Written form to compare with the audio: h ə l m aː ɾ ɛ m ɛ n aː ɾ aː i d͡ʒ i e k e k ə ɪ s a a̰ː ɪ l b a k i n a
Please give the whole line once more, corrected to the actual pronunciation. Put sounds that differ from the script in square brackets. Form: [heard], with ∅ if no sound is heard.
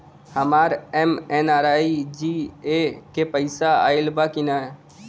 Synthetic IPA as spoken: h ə [∅] m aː ɾ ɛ m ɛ n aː ɾ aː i d͡ʒ i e k e [p] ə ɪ s a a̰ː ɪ l b a k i n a